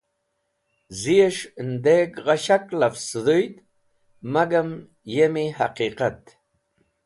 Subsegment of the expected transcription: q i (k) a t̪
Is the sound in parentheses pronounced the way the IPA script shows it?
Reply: no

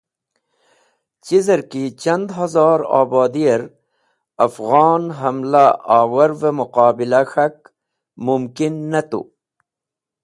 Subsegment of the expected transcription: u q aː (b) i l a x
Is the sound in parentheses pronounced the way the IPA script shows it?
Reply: yes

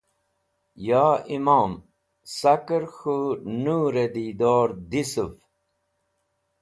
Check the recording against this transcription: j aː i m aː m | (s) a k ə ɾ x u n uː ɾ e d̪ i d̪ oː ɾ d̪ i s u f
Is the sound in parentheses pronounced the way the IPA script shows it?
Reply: yes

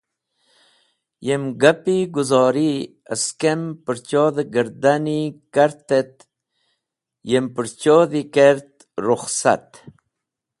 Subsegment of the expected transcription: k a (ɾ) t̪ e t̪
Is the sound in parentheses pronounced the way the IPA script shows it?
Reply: yes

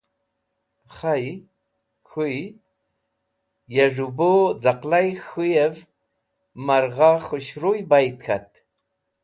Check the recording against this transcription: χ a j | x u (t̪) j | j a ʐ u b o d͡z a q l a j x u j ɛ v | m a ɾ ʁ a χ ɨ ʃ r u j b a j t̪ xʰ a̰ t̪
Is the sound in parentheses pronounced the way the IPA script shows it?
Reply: no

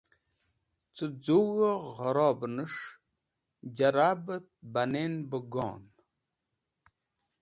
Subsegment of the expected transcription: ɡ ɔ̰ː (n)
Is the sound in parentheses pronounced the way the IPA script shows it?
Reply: yes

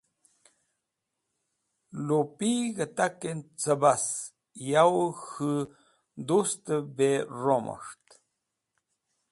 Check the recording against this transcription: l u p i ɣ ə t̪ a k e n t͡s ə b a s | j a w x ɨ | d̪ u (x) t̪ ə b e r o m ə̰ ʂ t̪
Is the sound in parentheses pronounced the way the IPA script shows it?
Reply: no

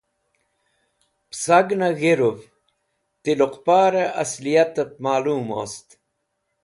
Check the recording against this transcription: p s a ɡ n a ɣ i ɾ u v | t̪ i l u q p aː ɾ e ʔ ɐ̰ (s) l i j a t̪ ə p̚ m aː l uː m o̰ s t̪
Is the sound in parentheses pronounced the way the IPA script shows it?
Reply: yes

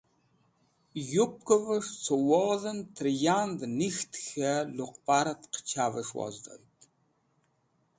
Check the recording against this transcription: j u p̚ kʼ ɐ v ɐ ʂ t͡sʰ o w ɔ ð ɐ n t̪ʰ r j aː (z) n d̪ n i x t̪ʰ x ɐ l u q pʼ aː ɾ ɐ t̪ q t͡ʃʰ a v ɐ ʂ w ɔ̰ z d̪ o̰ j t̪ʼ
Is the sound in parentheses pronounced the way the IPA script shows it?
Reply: no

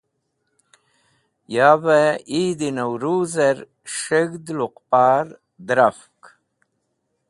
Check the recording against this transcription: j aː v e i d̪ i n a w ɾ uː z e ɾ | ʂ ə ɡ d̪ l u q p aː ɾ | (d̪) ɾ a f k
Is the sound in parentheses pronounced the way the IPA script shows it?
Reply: yes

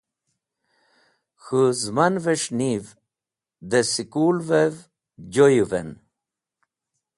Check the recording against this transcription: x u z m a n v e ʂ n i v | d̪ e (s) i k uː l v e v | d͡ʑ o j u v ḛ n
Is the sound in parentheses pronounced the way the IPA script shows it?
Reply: yes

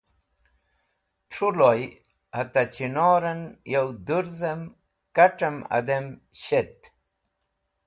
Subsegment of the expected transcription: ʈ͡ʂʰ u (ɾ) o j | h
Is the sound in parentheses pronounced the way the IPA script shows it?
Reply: no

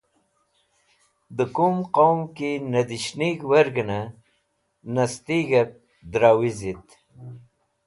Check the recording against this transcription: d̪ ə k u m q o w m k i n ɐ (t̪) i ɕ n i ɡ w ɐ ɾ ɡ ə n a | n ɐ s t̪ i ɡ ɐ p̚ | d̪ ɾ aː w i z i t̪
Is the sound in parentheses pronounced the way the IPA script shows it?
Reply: no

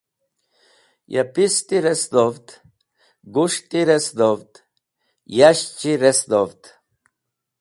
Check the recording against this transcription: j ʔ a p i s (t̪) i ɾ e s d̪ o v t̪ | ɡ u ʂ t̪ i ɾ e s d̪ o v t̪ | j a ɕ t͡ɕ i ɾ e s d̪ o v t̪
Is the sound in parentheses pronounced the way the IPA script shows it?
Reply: yes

